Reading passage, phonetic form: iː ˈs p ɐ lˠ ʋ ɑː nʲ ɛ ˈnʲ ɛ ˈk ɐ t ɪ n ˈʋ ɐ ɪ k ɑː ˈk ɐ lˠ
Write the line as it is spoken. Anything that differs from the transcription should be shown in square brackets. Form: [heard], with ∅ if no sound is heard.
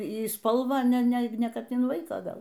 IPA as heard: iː ˈs p ɐ lˠ ʋ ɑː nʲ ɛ ˈnʲ ɛ ˈk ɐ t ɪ n ˈʋ ɐ ɪ k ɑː [ˈɡ] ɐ lˠ